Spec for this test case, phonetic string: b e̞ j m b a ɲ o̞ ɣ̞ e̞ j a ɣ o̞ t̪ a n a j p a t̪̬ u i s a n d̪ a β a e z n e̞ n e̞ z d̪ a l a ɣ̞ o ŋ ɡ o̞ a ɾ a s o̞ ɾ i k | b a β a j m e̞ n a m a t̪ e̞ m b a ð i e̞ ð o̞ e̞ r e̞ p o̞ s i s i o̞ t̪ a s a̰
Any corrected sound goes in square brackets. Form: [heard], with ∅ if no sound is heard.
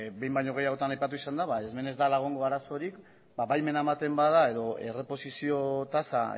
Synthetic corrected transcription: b e̞ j m b a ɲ o̞ ɣ̞ e̞ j a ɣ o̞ t̪ a n a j p a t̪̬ u i s a n d̪ a β a e z [m] e̞ n e̞ z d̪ a l a ɣ̞ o ŋ ɡ o̞ a ɾ a s o̞ ɾ i k | b a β a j m e̞ n a m a t̪ e̞ m b a ð [a] e̞ ð o̞ e̞ r e̞ p o̞ s i s i o̞ t̪ a s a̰